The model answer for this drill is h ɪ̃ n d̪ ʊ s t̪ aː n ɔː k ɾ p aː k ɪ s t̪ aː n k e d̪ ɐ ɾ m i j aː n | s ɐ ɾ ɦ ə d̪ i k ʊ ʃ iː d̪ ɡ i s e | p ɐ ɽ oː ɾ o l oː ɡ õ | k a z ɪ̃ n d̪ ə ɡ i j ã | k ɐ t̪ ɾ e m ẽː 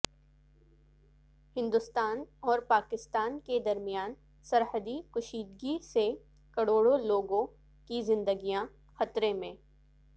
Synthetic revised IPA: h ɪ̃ n d̪ ʊ s t̪ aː n ɔː ɾ p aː k ɪ s t̪ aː n k e d̪ ɐ ɾ m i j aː n | s ɐ ɾ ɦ ə d̪ i k ʊ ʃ iː d̪ ɡ i s e | k ɐ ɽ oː ɽ o l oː ɡ õ | k i z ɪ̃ n d̪ ə ɡ i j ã | x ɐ t̪ ɾ e m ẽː